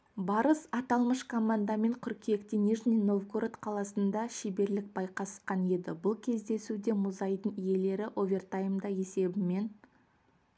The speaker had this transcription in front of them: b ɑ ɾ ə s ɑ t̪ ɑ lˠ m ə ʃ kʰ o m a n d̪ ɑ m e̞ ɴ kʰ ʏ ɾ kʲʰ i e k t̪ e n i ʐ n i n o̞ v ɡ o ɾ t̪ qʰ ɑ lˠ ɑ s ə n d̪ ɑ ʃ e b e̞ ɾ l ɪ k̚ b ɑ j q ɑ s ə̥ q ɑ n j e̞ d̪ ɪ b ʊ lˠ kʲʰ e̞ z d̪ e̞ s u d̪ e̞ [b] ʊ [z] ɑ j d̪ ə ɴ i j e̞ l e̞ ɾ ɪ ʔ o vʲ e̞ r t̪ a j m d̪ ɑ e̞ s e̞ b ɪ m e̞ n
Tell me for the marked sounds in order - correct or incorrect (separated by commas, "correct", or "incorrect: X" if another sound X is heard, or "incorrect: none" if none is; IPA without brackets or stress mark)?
incorrect: m, correct